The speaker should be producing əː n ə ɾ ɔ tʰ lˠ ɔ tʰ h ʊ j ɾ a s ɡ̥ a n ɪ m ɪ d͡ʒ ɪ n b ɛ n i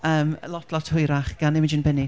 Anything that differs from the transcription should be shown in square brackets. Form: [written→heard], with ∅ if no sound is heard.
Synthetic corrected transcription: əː [n→m] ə [ɾ→l] ɔ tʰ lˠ ɔ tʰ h ʊ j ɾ a [s→χ] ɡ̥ a n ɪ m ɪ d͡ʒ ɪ n b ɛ n i